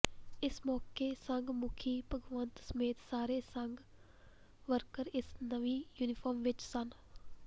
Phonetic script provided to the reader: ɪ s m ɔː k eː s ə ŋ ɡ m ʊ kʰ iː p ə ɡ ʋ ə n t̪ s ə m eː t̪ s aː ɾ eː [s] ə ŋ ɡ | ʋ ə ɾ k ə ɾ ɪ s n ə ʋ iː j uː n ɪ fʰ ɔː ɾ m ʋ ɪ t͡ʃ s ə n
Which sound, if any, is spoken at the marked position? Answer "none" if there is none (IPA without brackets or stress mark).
s